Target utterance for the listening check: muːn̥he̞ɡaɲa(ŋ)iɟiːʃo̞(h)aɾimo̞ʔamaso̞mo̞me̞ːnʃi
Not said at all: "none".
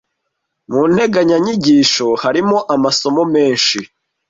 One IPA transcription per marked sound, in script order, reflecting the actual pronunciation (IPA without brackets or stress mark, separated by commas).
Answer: ɲ, h